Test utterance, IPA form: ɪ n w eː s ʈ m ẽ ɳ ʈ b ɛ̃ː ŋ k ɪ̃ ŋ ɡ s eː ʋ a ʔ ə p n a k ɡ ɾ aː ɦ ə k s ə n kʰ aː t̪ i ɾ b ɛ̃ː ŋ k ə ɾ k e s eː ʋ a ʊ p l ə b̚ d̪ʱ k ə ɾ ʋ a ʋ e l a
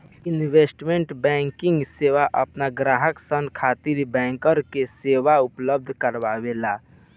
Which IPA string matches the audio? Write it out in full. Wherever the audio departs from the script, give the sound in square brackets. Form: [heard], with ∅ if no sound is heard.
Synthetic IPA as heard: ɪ n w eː s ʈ m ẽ ɳ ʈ b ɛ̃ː ŋ k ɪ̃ ŋ ɡ s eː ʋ a ʔ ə p n a [∅] ɡ ɾ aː ɦ ə k s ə n kʰ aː t̪ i ɾ b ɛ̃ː ŋ k ə ɾ k e s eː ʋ a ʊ p l ə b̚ d̪ʱ k ə ɾ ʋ a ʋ e l a